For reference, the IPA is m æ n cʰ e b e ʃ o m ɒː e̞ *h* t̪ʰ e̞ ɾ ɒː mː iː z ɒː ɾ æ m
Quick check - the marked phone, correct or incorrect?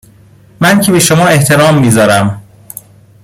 correct